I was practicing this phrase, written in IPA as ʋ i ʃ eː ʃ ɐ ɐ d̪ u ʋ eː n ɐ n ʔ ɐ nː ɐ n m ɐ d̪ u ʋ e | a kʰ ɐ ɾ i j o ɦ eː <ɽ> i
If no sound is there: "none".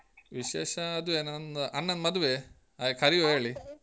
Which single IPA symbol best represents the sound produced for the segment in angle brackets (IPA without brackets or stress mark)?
ɭ